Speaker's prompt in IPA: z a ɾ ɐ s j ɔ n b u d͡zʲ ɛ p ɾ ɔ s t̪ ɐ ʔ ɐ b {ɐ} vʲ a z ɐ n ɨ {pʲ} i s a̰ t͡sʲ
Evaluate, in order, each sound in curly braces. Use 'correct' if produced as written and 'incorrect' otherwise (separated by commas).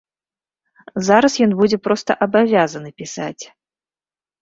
incorrect, correct